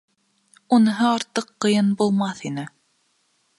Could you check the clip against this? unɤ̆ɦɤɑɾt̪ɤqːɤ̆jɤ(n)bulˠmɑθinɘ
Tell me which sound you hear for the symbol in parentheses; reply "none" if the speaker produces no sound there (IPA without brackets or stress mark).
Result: n